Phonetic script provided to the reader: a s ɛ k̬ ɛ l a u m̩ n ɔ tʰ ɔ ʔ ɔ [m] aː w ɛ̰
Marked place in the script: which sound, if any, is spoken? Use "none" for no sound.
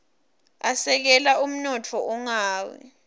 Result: ŋ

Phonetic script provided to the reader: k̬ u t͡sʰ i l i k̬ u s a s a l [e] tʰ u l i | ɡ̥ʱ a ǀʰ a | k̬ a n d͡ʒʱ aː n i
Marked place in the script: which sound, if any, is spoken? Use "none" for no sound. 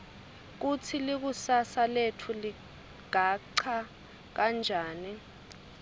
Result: e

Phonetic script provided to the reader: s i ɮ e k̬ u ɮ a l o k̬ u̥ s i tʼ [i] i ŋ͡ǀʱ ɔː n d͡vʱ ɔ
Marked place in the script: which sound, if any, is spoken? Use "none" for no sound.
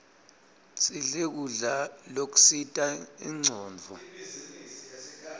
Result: a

